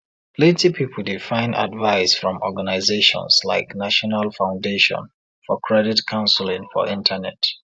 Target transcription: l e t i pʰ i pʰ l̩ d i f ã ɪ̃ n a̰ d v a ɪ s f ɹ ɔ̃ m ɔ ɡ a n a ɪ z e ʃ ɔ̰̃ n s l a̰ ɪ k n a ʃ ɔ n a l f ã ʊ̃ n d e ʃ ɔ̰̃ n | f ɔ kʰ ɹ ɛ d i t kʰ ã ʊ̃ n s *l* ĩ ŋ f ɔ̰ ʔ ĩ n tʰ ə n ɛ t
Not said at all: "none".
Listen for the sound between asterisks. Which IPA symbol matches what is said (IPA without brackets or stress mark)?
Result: l